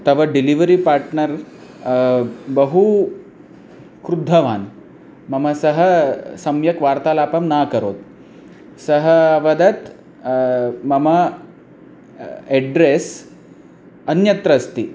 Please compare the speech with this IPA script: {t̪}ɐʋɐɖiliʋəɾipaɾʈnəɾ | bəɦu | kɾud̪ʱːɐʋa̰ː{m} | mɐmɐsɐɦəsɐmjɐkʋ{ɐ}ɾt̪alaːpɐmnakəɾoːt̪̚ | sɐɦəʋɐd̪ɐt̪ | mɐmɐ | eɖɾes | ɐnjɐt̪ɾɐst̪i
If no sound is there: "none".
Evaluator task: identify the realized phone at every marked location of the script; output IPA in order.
t̪, n, a

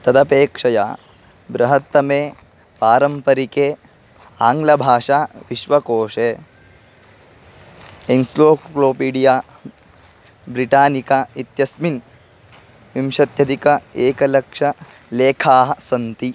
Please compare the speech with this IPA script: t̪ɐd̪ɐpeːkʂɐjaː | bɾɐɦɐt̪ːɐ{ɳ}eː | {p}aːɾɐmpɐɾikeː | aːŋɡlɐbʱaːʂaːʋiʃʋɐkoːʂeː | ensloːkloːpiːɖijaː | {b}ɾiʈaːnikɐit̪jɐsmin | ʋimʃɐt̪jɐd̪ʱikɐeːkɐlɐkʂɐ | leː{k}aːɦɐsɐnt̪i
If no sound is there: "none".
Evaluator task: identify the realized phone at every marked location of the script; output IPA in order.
m, p, b, kʰ

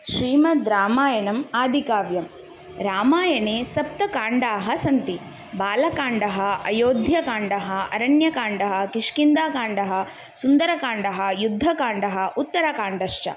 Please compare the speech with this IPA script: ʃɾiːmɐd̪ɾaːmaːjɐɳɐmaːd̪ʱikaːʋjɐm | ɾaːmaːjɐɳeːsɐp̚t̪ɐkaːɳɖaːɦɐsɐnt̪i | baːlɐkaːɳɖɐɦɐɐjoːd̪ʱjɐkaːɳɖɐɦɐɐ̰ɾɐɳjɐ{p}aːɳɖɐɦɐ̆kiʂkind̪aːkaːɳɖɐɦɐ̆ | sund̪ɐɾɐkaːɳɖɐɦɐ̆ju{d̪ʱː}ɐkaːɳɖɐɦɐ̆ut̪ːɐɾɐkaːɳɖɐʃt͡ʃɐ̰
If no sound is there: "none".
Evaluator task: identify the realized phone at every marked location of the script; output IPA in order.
k, d̪ʱː

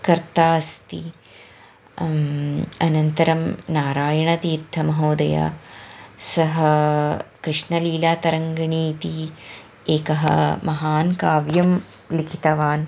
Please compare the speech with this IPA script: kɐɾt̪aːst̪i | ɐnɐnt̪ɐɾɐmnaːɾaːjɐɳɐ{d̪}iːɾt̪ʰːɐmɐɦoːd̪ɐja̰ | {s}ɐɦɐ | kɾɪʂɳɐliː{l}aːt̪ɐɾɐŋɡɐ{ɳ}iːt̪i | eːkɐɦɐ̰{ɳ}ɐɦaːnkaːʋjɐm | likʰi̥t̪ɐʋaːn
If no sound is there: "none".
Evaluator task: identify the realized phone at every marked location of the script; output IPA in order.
t̪, s, l, ɳ, m

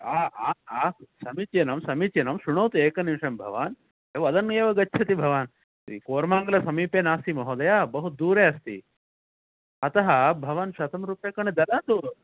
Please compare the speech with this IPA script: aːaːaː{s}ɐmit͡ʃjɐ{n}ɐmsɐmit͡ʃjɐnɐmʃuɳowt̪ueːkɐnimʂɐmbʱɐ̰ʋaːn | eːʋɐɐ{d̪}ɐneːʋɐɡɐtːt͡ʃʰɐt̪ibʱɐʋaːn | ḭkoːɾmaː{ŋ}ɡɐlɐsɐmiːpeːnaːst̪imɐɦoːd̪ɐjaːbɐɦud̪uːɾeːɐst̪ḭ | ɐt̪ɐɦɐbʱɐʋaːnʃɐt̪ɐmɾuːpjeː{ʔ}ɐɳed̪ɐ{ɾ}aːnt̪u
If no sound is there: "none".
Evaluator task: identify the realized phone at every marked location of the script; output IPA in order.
s, n, d̪, ŋ, k, l

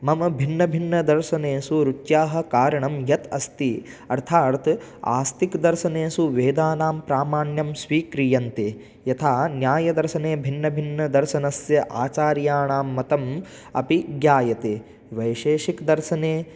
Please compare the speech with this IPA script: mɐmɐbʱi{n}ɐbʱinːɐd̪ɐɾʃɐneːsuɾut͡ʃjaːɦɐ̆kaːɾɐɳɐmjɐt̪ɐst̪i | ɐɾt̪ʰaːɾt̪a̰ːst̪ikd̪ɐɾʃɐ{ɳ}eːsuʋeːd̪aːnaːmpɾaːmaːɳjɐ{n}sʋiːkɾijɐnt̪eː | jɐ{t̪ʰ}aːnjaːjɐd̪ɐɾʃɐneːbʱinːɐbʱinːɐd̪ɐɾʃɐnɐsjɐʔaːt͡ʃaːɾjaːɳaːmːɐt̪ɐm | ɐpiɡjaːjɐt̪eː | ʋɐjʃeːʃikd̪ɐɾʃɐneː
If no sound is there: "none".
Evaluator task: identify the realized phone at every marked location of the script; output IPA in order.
nː, n, m, t̪ʰ

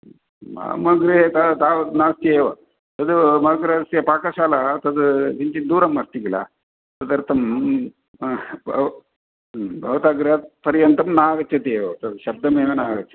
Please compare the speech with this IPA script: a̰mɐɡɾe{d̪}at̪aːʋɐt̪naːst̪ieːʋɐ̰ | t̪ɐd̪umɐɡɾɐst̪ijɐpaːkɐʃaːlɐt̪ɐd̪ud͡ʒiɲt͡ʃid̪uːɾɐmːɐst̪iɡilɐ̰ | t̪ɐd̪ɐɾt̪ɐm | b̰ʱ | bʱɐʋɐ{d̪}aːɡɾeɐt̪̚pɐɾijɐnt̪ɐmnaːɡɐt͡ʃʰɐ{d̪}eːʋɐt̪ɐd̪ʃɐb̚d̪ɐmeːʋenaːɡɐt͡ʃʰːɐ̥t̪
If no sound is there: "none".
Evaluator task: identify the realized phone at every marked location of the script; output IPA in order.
t̪, t̪, t̪

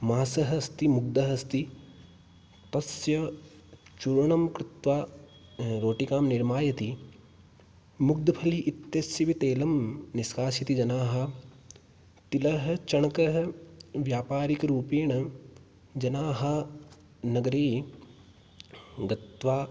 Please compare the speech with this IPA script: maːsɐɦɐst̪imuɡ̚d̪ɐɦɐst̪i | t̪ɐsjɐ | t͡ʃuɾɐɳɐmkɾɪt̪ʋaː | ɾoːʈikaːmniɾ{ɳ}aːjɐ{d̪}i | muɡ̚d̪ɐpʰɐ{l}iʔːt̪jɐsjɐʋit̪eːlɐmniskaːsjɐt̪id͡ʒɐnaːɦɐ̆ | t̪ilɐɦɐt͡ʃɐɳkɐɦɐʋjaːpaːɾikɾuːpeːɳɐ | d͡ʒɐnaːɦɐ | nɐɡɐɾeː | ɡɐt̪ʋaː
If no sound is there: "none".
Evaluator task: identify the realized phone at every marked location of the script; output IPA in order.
m, t̪, l

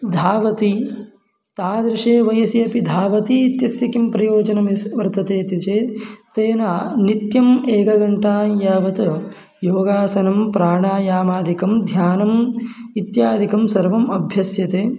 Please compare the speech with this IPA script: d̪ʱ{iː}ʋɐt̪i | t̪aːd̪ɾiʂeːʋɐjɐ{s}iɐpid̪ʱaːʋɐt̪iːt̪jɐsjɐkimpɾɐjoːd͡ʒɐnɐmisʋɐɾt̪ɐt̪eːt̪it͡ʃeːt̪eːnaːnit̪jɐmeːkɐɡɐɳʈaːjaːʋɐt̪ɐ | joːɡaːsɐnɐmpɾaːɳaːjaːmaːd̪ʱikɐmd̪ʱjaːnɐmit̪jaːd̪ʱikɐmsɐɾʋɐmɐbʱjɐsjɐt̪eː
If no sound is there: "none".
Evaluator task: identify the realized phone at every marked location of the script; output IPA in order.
aː, s

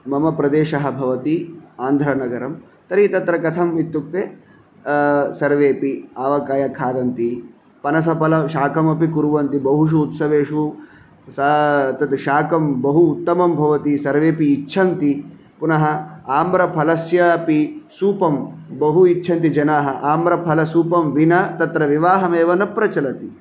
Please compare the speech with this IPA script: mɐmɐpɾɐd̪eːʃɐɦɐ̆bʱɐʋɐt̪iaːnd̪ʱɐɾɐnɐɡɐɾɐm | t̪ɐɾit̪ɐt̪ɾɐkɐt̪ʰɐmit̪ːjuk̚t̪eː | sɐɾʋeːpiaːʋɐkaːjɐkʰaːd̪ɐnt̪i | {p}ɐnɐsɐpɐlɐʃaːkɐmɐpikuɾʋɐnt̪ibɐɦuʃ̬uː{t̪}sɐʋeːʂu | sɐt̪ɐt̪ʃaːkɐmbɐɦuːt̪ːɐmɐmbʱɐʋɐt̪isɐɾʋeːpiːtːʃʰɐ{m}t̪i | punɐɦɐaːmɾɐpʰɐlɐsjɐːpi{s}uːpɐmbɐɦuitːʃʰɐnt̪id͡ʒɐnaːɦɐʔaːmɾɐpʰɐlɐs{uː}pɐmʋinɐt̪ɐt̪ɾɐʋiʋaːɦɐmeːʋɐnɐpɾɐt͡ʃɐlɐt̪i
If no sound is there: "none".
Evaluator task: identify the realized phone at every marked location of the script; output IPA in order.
p, t̪, n, s, uː

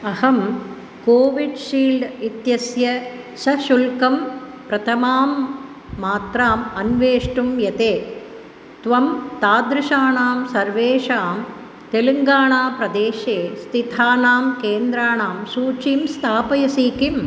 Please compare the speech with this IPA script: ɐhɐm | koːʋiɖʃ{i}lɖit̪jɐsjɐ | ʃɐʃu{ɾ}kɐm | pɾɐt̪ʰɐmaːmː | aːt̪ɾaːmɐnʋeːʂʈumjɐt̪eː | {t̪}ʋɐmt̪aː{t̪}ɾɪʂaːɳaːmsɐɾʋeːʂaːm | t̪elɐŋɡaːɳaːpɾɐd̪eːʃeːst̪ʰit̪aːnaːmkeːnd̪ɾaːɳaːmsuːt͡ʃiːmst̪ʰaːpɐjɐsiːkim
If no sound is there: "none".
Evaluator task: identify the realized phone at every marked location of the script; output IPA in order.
iː, l, t̪, d̪

